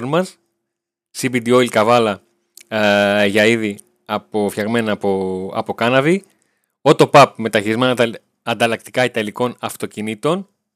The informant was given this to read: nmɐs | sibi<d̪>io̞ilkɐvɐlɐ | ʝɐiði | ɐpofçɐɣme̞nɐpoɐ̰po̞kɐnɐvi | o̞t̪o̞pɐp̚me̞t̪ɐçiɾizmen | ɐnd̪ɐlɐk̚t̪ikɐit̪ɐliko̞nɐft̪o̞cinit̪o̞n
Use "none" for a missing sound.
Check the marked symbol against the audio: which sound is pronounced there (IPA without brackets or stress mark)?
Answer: d̪